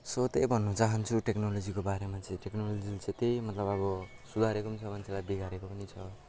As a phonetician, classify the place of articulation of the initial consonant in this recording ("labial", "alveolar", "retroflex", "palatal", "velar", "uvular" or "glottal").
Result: alveolar